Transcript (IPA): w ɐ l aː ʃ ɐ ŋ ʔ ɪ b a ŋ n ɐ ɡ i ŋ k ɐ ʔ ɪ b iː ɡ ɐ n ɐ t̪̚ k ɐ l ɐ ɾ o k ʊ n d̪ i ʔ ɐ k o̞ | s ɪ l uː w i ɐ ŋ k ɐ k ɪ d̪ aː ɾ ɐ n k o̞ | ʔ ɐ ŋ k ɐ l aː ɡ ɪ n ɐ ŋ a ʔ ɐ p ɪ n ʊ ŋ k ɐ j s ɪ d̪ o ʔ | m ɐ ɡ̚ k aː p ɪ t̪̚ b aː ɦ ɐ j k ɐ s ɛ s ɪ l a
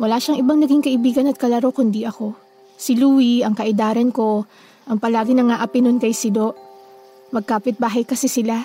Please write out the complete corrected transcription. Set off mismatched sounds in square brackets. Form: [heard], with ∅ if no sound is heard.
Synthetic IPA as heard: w ɐ l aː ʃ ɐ ŋ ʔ ɪ b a ŋ n ɐ ɡ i ŋ k ɐ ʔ ɪ b iː ɡ ɐ n ɐ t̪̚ k ɐ l ɐ ɾ o k ʊ n d̪ i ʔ ɐ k o̞ | s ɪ l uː w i ɐ ŋ k ɐ [ʔ] ɪ d̪ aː ɾ ɐ n k o̞ | ʔ ɐ ŋ [p] ɐ l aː ɡ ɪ n ɐ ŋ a ʔ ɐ p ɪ n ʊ [n] k ɐ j s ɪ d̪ o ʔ | m ɐ ɡ̚ k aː p ɪ t̪̚ b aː ɦ ɐ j k ɐ s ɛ s ɪ l a